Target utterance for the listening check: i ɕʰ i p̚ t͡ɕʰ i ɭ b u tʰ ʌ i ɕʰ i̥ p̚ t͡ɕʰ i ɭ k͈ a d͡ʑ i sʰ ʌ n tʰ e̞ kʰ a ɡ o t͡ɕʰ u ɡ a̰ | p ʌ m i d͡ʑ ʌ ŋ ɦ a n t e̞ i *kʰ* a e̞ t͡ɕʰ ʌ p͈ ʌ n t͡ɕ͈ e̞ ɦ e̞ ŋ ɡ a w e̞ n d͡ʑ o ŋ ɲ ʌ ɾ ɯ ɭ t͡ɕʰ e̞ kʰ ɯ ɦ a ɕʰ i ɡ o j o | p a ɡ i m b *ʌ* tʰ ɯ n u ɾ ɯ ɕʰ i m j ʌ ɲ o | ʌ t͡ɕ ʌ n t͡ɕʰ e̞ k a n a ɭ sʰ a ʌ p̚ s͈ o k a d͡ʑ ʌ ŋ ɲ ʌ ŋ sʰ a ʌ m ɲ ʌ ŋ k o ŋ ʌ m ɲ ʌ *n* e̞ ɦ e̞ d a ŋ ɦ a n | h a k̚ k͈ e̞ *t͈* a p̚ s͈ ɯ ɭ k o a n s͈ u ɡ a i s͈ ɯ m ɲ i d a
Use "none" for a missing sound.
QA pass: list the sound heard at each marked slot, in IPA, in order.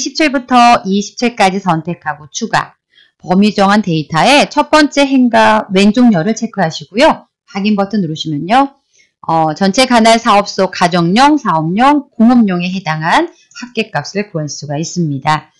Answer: tʰ, ʌ, ŋ, k͈

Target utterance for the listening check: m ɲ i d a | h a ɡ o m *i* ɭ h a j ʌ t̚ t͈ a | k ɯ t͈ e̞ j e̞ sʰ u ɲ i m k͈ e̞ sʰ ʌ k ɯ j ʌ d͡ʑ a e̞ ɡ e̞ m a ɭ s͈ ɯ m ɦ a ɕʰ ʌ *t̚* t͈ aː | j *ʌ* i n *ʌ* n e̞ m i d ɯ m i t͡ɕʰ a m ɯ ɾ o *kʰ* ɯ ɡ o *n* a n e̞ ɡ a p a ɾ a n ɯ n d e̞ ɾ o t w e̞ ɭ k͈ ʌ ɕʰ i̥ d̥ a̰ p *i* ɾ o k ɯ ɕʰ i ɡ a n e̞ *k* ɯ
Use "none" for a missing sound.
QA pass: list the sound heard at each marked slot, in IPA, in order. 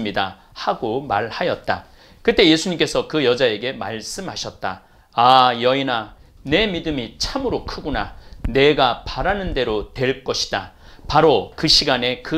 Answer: a, t̚, ʌ, a, kʰ, n, a, k

